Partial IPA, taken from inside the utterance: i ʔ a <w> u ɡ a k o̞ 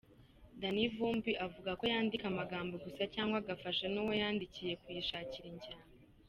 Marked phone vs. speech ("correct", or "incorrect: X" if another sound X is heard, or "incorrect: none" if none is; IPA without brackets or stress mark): incorrect: v